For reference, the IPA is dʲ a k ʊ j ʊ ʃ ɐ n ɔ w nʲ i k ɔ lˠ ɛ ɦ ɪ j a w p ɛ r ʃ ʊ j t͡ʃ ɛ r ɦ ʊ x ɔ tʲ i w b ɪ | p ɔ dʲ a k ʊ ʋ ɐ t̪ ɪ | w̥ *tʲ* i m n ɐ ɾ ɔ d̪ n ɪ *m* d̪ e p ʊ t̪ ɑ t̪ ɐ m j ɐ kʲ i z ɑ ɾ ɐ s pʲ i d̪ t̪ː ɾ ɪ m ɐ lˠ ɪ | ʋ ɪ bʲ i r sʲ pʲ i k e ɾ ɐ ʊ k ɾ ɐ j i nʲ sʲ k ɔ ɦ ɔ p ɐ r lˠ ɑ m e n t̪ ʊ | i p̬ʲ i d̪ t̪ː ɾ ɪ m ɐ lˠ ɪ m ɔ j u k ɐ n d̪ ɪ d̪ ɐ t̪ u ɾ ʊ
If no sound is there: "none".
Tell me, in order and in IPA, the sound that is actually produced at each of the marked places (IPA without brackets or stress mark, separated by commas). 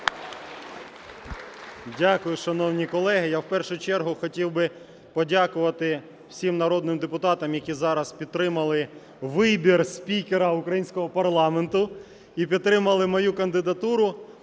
sʲ, m